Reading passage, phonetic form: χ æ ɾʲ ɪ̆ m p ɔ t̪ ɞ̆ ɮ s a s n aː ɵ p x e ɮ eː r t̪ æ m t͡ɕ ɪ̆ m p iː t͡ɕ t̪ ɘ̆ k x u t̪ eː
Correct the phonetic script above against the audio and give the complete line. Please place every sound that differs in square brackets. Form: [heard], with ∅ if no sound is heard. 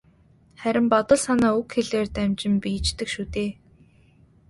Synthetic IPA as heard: χ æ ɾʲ ɪ̆ m p ɔ t̪ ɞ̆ ɮ s a [∅] n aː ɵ [k] x e ɮ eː r t̪ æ m t͡ɕ ɪ̆ m p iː t͡ɕ t̪ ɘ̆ k [ʃ] u t̪ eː